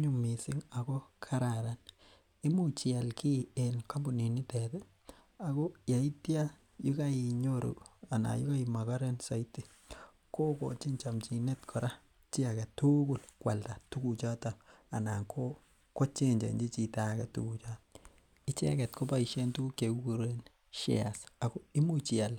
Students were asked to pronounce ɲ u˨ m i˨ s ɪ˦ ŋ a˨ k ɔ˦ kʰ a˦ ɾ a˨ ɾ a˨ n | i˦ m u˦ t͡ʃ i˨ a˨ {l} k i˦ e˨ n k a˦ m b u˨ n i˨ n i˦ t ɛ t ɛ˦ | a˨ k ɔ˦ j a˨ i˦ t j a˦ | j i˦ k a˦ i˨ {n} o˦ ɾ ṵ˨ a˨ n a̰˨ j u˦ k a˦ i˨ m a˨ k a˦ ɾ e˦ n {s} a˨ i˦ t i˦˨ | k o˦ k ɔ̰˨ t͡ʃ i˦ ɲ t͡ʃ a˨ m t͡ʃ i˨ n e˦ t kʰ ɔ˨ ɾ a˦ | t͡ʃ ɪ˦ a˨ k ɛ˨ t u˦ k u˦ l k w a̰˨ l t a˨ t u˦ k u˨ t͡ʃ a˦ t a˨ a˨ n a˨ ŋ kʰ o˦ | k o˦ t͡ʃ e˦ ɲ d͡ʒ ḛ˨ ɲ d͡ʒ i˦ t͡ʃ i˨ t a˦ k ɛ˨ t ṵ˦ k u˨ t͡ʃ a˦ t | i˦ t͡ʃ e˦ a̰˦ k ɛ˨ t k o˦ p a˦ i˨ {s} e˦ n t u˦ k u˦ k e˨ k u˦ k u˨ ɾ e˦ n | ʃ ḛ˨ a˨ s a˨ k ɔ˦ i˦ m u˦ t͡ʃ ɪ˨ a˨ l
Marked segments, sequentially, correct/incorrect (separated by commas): correct, incorrect, correct, incorrect